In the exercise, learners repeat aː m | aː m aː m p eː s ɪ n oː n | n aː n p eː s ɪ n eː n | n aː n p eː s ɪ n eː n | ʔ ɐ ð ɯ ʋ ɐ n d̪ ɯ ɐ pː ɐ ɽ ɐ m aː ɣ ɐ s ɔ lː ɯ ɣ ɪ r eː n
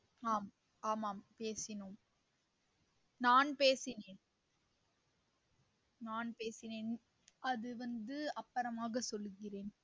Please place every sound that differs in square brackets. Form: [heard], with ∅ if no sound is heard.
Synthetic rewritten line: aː m | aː m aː m p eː s ɪ n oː [m] | n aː n p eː s ɪ n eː n | n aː n p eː s ɪ n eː n | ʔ ɐ ð ɯ ʋ ɐ n d̪ ɯ ɐ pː ɐ [ɾ] ɐ m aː ɣ ɐ s ɔ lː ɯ ɣ ɪ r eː n